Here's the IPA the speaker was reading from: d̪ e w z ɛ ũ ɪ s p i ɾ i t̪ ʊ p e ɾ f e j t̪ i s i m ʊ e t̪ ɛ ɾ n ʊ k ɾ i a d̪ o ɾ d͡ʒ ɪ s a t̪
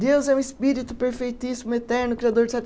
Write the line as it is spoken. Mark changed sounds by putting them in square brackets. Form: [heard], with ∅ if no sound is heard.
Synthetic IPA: d̪ e w z ɛ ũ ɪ s p i ɾ i t̪ ʊ p e ɾ f e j t̪ i s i m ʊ e t̪ ɛ ɾ n ʊ k ɾ i a d̪ o ɾ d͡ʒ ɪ s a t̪